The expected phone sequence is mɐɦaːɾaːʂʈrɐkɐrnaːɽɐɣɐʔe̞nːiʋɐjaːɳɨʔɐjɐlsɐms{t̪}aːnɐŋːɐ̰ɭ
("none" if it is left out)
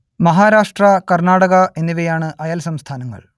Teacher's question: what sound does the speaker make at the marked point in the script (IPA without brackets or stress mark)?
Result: t̪ʰ